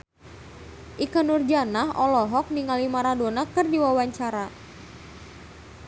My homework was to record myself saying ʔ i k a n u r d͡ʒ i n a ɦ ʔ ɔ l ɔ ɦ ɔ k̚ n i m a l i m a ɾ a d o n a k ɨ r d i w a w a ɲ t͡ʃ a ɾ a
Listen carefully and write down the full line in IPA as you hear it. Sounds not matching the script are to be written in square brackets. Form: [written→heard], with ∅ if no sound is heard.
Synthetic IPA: ʔ i k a n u r d͡ʒ [i→a] n a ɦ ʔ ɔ l ɔ ɦ ɔ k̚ n i [m→ŋ] a l i m a ɾ a d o n a k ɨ r d i w a w a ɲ t͡ʃ a ɾ a